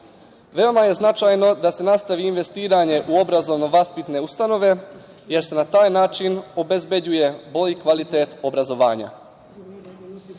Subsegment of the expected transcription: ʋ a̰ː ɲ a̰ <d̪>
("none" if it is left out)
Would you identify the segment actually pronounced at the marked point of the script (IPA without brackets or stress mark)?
none